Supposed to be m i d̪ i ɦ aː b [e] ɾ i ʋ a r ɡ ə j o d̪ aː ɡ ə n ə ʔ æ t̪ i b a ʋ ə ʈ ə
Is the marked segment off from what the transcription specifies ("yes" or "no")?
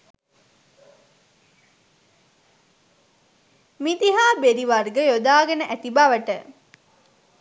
no